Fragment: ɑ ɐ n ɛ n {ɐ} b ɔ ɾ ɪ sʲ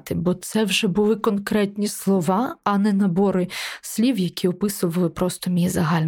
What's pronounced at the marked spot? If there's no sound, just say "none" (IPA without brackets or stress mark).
ɐ